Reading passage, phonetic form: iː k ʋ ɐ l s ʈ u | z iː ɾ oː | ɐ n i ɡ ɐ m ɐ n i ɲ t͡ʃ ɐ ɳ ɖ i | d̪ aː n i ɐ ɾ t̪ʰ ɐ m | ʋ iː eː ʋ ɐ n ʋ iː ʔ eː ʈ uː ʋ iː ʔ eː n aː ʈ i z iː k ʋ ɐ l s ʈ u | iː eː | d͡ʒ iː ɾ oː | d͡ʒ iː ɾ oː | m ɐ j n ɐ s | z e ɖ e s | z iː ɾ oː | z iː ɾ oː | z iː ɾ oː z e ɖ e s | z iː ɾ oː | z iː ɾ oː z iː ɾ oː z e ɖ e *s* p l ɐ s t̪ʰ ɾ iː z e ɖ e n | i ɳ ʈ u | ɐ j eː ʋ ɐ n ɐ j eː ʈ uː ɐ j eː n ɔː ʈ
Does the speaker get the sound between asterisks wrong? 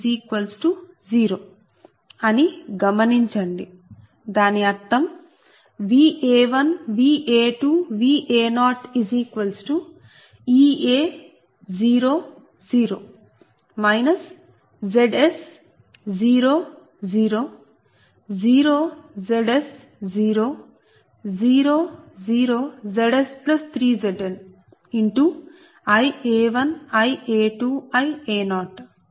no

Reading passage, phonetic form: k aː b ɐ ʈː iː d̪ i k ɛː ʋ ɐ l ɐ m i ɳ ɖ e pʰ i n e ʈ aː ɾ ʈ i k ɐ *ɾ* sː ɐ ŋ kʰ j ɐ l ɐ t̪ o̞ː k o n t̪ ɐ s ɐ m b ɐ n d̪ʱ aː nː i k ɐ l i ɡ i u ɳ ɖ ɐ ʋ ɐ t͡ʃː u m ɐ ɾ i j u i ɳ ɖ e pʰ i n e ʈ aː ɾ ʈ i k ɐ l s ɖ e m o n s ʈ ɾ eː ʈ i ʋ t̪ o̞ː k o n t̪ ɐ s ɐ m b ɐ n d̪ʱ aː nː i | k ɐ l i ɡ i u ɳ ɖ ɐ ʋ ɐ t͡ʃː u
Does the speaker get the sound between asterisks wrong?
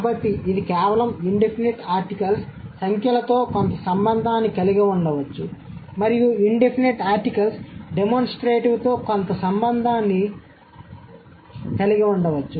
yes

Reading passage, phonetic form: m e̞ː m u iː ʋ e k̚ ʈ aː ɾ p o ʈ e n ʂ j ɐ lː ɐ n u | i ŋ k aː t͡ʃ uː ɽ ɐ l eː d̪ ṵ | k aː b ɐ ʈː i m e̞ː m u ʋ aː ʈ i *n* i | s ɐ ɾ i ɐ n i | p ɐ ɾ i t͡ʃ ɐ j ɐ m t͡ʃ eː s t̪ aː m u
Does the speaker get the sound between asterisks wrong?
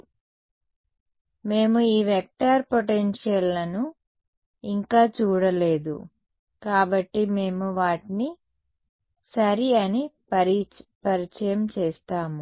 no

